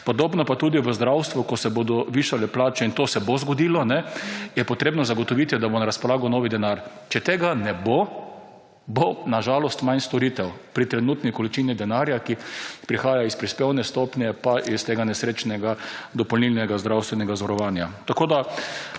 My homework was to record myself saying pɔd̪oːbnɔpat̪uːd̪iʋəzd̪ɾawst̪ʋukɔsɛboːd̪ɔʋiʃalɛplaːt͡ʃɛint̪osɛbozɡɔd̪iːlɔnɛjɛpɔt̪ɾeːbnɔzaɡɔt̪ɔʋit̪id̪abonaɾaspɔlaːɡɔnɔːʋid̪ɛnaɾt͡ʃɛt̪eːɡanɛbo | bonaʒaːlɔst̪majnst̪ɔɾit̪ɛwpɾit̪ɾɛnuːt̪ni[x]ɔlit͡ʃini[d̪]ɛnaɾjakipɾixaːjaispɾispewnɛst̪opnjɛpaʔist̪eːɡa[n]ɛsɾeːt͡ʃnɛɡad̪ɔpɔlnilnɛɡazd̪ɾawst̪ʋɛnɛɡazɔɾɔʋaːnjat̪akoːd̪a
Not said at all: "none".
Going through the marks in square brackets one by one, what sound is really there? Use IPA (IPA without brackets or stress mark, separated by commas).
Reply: k, d̪, n